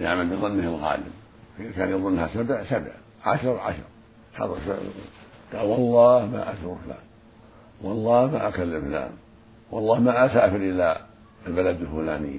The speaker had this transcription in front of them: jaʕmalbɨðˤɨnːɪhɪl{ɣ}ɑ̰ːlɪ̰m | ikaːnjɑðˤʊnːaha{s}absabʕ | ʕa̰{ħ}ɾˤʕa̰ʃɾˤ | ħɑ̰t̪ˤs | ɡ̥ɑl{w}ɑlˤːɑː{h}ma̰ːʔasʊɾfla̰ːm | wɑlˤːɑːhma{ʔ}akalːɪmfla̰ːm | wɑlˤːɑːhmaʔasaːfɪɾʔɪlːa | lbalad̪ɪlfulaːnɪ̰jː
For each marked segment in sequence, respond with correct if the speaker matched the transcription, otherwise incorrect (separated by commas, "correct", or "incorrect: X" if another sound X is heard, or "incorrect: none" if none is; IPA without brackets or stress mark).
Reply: correct, correct, incorrect: ʃ, correct, correct, correct